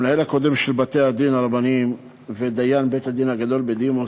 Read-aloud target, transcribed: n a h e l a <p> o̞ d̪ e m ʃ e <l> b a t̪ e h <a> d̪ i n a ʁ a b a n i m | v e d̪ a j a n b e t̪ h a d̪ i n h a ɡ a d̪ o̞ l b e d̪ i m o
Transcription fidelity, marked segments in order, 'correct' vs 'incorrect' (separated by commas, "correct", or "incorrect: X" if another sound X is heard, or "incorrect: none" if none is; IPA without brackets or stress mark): incorrect: k, correct, correct